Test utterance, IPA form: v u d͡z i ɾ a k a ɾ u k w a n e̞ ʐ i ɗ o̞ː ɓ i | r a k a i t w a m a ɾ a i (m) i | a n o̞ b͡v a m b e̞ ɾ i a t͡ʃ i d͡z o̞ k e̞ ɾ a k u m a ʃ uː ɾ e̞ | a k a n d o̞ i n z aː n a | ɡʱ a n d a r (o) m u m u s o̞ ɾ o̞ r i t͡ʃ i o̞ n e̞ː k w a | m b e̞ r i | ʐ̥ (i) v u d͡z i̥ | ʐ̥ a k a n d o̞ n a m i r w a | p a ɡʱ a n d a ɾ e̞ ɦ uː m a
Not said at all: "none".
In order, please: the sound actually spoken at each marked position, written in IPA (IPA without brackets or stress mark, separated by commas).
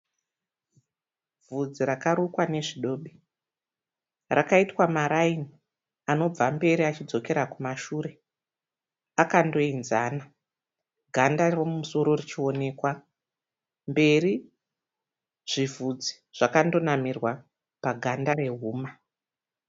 n, o, i